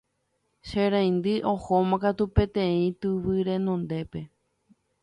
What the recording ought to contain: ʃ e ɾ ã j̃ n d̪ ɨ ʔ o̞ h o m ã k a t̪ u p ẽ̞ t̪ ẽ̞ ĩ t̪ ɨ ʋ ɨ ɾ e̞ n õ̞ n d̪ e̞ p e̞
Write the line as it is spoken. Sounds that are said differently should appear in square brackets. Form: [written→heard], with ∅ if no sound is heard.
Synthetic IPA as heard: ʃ e ɾ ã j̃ n d̪ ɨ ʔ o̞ h o m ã k a t̪ u p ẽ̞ t̪ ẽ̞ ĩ t̪ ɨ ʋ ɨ ɾ e̞ n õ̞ n d̪ e̞ p e̞